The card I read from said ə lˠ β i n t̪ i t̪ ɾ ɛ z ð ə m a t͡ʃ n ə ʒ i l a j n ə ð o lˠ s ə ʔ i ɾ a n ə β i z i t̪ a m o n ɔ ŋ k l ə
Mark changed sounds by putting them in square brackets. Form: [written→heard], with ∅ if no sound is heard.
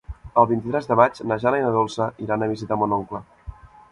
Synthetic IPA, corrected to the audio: ə lˠ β i n t̪ i t̪ ɾ ɛ z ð ə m a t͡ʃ n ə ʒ [i→a] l a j n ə ð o lˠ s ə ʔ i ɾ a n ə β i z i t̪ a m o n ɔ ŋ k l ə

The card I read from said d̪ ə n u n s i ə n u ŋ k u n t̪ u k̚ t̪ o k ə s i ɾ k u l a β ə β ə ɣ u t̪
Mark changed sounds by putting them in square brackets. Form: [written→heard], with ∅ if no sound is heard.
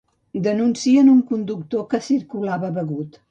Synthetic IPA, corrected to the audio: d̪ ə n u n s i ə n u ŋ k u n [t̪→d̪] u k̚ t̪ o k ə s i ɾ k u l a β ə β ə ɣ u t̪

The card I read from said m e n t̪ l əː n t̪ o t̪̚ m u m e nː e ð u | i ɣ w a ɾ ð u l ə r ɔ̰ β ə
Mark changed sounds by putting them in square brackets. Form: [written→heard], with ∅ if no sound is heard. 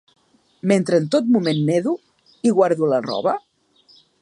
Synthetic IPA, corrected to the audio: m e n t̪ [l→ɾ] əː n t̪ o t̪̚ m u m e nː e ð u | i ɣ w a ɾ ð u l ə r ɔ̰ β ə

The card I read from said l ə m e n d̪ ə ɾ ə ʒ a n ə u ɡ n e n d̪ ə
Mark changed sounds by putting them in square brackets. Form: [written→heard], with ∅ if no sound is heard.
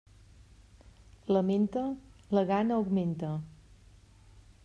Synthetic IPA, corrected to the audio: l ə m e n [d̪→t̪] ə [ɾ→l] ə [ʒ→ɣ] a n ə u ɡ [n→m] e n [d̪→t̪] ə

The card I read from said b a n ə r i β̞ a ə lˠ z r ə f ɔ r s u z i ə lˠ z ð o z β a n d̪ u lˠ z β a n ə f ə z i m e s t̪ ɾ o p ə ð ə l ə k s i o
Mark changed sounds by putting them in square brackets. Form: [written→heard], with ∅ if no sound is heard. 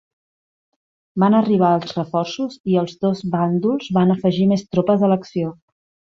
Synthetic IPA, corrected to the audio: b a n ə r i β̞ a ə lˠ z r ə f ɔ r s u z i ə lˠ z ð o z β a n d̪ u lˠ z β a n ə f ə [z→ʒ] i m e s t̪ ɾ o p ə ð ə l ə k s i o

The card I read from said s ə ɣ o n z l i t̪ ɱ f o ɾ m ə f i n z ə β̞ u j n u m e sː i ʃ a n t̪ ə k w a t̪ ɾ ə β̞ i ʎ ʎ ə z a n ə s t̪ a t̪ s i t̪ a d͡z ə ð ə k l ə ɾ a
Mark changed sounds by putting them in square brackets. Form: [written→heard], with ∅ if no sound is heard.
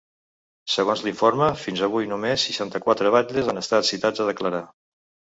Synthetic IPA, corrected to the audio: s ə ɣ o n z l i [t̪→∅] ɱ f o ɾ m ə f i n z ə β̞ u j n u m e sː i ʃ a n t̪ ə k w a t̪ ɾ ə β̞ [i→a] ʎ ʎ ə z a n ə s t̪ a t̪ s i t̪ a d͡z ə ð ə k l ə ɾ a

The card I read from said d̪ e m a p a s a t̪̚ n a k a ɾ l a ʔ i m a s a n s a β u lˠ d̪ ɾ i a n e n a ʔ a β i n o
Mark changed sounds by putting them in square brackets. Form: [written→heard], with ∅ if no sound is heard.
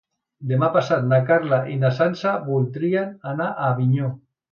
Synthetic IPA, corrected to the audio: d̪ e m a p a s a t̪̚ n a k a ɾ l a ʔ i [m→n] a s a n s a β u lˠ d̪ ɾ i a n [e→a] n a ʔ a β i [n→ɲ] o

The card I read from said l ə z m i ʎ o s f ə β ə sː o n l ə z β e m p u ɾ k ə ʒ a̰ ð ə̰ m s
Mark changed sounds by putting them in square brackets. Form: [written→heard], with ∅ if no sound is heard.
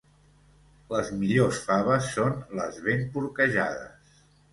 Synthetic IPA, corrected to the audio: l ə z m i ʎ o s f [ə→a] β ə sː o n l ə z β e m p u ɾ k ə ʒ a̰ ð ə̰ [m→∅] s

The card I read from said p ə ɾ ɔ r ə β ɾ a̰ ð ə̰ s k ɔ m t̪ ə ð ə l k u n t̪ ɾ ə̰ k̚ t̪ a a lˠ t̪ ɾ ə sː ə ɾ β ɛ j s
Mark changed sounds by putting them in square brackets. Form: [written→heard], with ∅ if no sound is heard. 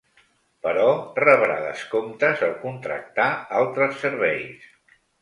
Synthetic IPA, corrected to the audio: p ə ɾ ɔ r ə β ɾ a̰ ð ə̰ s k [ɔ→o] m t̪ ə [ð→z] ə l k u n t̪ ɾ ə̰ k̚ t̪ a a lˠ t̪ ɾ ə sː ə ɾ β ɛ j s

